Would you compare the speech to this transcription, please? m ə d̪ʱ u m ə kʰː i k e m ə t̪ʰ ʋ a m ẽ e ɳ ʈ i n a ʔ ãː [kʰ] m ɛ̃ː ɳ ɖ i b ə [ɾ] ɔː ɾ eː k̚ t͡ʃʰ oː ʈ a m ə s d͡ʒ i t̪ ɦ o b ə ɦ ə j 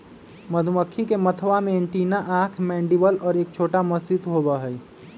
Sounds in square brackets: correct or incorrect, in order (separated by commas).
correct, incorrect